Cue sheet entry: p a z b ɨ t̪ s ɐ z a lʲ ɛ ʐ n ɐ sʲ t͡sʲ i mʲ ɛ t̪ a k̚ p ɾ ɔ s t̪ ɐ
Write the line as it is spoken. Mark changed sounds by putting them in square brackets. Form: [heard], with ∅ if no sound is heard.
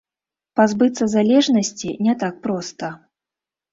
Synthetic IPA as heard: p a z b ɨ t̪ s ɐ z a lʲ ɛ ʐ n ɐ sʲ t͡sʲ i [nʲ] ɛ t̪ a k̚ p ɾ ɔ s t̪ ɐ